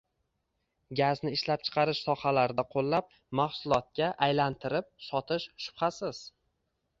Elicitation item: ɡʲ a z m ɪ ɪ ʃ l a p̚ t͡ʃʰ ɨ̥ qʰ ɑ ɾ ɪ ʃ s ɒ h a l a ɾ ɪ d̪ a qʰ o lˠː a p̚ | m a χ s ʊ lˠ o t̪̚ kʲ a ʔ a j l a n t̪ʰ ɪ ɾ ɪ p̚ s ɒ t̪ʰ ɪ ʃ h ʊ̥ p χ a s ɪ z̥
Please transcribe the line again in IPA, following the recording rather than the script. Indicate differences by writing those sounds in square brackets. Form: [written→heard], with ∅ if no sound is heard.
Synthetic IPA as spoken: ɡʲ a z [m→n] ɪ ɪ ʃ l a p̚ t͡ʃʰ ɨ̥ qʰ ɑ ɾ ɪ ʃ s ɒ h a l a ɾ ɪ d̪ a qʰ o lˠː a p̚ | m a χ s ʊ lˠ [o→ɒ] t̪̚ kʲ a ʔ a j l a n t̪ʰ ɪ ɾ ɪ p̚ s ɒ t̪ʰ ɪ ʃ [h→ʃ] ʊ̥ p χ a s ɪ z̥